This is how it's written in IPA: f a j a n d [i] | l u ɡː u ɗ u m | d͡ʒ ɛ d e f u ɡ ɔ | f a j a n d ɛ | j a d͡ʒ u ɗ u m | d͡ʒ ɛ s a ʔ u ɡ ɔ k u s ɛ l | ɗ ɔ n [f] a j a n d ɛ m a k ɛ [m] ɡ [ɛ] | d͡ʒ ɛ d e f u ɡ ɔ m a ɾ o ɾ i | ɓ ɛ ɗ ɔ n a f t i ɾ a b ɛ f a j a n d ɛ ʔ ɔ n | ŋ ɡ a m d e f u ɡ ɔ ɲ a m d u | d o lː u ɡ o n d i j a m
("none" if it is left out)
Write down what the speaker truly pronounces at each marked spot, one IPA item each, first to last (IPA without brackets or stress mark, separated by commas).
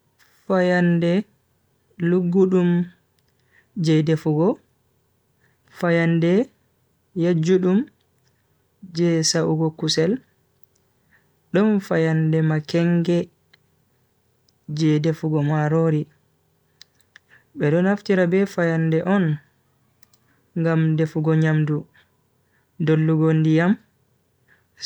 ɛ, f, ŋ, ɛ